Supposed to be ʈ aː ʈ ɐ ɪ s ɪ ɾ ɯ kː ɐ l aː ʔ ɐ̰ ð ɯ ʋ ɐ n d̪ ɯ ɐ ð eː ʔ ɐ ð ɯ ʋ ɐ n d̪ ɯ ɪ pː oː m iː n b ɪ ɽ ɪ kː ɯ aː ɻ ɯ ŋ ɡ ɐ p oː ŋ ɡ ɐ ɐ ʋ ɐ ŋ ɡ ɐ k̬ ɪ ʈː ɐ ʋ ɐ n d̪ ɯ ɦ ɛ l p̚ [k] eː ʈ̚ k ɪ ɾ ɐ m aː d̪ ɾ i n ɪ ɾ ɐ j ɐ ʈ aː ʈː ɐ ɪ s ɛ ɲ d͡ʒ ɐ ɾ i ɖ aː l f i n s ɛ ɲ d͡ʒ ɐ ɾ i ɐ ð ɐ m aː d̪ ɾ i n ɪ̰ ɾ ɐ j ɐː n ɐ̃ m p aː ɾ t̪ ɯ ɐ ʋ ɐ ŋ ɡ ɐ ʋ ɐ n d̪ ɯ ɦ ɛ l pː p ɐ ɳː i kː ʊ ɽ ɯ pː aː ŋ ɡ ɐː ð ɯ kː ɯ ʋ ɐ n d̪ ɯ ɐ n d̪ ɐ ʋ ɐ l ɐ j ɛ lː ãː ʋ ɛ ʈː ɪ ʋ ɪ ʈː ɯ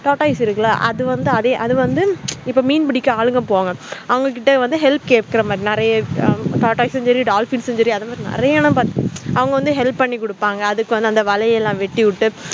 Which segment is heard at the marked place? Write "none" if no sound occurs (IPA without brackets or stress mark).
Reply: k